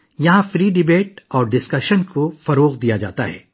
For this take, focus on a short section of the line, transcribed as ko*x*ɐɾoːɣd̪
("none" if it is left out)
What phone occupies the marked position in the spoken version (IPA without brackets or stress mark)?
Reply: f